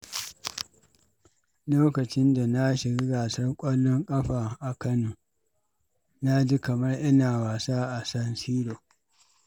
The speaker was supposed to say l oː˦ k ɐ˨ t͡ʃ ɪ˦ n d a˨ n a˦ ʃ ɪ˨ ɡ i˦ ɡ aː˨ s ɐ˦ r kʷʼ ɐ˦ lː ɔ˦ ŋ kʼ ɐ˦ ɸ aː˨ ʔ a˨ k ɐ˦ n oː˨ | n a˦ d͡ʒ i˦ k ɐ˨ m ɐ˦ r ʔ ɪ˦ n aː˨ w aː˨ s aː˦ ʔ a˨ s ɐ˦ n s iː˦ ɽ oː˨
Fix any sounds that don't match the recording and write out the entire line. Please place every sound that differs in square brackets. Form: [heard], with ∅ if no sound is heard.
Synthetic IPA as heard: l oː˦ k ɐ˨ t͡ʃ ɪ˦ n d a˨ n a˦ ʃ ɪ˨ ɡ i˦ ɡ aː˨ s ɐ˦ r kʷʼ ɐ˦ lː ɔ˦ ŋ kʼ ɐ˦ ɸ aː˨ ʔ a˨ k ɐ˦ n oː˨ | n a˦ d͡ʒ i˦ k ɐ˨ m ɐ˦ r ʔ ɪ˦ n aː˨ w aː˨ s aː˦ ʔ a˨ s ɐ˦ n s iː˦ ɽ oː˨